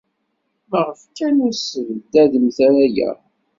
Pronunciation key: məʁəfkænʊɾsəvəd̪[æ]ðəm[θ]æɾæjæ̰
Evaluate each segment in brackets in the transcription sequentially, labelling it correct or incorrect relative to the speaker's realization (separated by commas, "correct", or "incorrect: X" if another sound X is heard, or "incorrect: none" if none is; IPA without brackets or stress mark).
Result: correct, correct